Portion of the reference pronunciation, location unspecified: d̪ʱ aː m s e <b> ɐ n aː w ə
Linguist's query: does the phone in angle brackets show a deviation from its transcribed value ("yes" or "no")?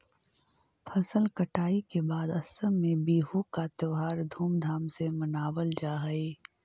yes